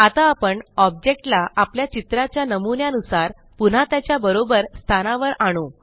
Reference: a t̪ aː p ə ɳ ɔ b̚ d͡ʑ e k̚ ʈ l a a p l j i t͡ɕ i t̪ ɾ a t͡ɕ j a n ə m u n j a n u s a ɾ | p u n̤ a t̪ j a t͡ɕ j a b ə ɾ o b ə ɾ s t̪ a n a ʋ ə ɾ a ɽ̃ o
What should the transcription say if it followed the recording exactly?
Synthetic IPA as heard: a t̪ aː p ə ɳ ɔ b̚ d͡ʑ e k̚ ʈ l a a p l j a t͡ɕ i t̪ ɾ a t͡ɕ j a n ə m u n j a n u s a ɾ | p u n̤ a t̪ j a t͡ɕ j a b ə ɾ o b ə ɾ s t̪ʰ a n a ʋ ə ɾ a ɽ̃ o

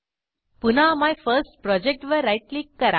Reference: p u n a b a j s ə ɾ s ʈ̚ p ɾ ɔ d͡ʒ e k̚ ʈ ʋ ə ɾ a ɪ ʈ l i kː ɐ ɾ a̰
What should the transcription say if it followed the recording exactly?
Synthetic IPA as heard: p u n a m a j f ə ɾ s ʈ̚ p ɾ ɔ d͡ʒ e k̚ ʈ ʋ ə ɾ a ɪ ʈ l i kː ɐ ɾ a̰

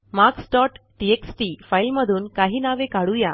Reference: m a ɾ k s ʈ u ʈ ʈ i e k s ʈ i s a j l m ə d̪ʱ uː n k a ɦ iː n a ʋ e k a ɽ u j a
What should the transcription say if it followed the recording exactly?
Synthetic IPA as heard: m a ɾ k s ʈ ɔ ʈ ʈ i e k s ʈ i f a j l m ə d̪ʱ uː n k a ɦ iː n a ʋ e k a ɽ u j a

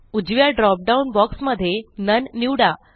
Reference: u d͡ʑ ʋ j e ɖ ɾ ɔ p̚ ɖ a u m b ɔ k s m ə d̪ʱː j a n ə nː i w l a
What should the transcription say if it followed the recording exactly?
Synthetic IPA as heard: u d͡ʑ ʋ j a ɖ ɾ ɔ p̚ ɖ a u n b ɔ k s m ə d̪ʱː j e n ə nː i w ɽ a

